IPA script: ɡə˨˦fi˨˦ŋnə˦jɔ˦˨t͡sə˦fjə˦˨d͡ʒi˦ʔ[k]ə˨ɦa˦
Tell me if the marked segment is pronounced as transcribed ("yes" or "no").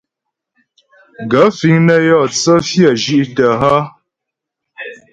no